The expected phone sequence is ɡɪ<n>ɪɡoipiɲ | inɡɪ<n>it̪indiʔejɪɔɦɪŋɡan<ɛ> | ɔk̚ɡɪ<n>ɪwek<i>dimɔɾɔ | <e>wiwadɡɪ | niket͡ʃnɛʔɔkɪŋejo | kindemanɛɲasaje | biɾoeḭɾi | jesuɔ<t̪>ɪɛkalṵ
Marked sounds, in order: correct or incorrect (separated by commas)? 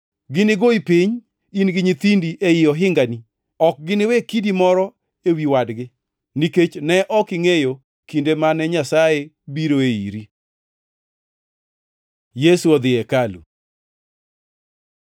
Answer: correct, incorrect, incorrect, correct, correct, correct, incorrect